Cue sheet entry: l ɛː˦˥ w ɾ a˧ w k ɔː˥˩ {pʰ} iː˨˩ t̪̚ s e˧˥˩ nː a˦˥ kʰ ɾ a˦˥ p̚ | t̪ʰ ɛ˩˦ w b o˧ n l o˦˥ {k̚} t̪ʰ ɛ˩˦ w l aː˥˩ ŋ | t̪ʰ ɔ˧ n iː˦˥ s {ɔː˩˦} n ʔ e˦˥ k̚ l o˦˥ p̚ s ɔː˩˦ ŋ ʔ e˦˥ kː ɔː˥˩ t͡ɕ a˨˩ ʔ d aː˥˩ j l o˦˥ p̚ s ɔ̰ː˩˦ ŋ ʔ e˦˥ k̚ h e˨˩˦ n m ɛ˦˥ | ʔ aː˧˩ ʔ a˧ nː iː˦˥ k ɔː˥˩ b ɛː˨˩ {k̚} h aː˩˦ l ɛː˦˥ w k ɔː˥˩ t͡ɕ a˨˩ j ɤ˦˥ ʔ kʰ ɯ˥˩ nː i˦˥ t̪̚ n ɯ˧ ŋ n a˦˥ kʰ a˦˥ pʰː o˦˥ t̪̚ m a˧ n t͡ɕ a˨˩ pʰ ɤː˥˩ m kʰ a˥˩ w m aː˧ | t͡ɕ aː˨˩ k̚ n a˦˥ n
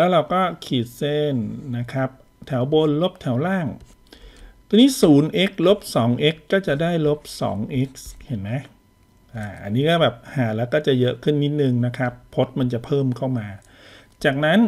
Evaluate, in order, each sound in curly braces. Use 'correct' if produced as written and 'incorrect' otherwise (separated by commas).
incorrect, incorrect, incorrect, incorrect